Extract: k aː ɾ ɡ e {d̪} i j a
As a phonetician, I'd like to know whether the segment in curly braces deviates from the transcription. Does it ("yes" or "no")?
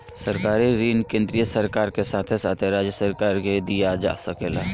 no